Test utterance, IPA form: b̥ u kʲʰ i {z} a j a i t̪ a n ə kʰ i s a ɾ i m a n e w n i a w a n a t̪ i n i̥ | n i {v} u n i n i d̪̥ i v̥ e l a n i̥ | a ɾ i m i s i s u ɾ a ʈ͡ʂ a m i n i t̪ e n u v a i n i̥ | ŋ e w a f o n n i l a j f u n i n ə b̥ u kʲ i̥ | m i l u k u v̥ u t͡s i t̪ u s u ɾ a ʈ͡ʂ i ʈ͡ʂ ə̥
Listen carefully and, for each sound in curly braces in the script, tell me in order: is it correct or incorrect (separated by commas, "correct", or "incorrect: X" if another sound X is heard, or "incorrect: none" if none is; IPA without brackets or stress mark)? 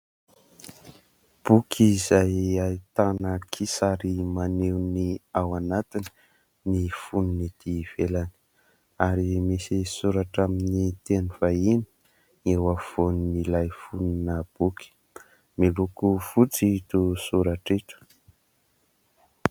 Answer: correct, incorrect: f